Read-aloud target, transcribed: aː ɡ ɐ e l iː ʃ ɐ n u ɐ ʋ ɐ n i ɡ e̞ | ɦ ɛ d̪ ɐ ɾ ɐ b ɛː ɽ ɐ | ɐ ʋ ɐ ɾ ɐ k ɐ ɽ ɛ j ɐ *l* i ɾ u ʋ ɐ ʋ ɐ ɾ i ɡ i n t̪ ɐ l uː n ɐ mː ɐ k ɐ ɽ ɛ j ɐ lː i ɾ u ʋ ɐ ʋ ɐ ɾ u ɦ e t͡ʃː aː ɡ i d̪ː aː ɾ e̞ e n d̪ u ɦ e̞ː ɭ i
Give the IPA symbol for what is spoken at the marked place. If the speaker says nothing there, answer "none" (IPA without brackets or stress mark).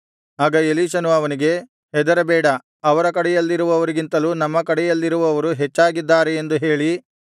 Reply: lː